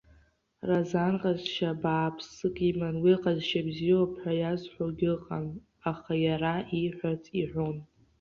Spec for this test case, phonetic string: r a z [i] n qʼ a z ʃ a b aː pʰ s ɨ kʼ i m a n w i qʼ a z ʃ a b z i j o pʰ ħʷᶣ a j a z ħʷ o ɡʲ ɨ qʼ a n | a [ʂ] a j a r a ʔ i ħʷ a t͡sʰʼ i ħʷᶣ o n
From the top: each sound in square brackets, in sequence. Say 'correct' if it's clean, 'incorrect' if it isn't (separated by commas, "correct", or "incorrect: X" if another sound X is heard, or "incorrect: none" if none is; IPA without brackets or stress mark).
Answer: incorrect: a, incorrect: χ